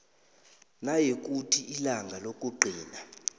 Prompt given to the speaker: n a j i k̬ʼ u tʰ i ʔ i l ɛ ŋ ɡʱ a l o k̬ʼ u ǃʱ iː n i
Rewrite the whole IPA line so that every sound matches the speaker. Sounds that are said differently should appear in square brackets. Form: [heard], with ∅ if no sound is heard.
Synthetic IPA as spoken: n a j [e] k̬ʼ u tʰ i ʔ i l [a] ŋ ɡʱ a l o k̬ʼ u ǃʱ iː n [a]